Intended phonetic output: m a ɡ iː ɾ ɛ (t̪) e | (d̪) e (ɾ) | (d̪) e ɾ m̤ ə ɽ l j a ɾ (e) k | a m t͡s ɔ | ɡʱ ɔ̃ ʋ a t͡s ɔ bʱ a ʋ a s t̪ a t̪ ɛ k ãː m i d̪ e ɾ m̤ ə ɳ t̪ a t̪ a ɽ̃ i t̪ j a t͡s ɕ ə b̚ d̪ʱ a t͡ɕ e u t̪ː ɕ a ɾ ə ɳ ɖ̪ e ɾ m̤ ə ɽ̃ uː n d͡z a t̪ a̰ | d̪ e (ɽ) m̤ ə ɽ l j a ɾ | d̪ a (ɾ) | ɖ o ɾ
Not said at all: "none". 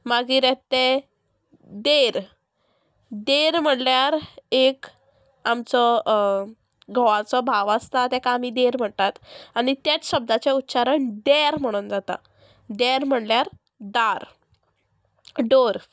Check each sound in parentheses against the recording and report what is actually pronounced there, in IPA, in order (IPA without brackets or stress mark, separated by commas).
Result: t̪, d̪, ɾ, d̪, e, ɾ, ɾ